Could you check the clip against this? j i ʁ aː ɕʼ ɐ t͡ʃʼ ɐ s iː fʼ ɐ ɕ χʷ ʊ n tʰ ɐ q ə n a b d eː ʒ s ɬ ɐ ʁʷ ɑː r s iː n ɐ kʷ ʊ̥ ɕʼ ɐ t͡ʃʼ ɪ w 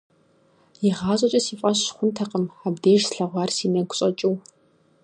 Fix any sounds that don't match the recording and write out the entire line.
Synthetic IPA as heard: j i ʁ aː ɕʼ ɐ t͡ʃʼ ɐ s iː fʼ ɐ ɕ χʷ ʊ n tʰ ɐ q ə m a b d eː ʒ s ɬ ɐ ʁʷ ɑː r s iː n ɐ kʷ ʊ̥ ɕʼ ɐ t͡ʃʼ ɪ w